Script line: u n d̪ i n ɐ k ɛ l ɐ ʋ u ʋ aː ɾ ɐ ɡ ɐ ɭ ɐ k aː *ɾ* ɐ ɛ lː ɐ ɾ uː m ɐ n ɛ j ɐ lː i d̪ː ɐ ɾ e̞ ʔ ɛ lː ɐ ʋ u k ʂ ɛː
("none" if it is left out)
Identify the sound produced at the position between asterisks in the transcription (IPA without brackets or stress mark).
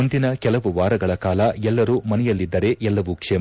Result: l